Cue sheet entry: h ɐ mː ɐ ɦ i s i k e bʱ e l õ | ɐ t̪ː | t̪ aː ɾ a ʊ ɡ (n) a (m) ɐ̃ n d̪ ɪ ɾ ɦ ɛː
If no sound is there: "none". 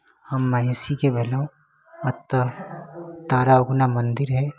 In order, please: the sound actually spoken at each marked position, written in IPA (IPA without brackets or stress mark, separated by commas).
n, m